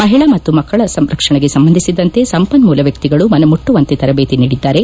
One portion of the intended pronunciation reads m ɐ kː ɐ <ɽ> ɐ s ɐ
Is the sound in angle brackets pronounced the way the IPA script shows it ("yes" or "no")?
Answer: no